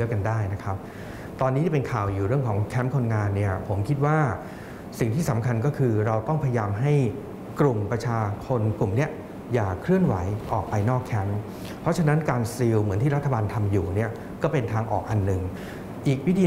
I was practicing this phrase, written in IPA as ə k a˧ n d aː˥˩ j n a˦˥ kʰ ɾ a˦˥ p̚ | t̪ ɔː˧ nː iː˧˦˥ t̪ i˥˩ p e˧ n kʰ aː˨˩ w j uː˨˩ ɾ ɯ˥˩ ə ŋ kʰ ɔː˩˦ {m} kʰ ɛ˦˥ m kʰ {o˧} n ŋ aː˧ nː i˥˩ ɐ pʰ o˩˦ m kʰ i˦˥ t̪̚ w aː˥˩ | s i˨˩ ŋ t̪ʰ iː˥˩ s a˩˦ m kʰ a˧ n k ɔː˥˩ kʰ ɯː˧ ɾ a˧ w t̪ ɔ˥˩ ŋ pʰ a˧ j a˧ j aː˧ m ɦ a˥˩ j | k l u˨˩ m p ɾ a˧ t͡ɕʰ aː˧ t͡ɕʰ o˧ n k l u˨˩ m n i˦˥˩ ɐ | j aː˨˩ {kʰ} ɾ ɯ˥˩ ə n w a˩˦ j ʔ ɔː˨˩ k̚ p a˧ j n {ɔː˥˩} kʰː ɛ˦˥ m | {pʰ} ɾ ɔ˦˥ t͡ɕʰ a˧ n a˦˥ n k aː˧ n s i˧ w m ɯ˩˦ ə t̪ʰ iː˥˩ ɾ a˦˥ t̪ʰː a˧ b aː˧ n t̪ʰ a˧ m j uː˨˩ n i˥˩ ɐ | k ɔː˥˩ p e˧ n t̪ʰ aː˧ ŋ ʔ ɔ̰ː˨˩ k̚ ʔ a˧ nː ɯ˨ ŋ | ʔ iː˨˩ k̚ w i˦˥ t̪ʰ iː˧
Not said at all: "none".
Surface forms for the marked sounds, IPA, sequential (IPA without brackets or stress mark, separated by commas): ŋ, o˧, kʰ, ɔː˥˩, pʰ